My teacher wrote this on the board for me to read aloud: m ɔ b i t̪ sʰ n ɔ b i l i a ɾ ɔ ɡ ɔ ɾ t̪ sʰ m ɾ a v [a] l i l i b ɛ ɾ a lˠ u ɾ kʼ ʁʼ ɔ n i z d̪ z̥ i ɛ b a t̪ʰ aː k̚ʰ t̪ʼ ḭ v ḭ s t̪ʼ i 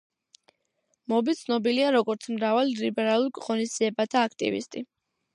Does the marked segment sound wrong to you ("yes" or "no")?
no